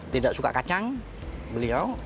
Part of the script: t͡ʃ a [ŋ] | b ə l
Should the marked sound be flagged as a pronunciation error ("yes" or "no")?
no